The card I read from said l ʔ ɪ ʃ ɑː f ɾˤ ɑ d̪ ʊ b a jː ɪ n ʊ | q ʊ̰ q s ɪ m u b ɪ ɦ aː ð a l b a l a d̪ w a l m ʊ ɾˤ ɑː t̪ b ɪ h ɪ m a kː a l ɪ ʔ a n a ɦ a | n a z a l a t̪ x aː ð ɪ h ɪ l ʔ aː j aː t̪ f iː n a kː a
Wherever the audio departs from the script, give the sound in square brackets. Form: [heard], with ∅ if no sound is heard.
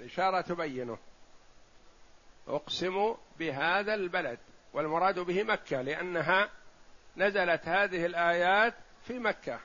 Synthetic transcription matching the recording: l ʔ ɪ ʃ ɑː [∅] ɾˤ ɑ [t̪] ʊ b a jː ɪ n ʊ | [ʔ] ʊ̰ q s ɪ m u b ɪ ɦ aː ð a l b a l a d̪ w a l m ʊ ɾˤ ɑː [d̪] b ɪ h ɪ m a kː a l ɪ ʔ a [nː] a ɦ a | n a z a l a t̪ [h] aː ð ɪ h ɪ l ʔ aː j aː t̪ f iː [m] a kː a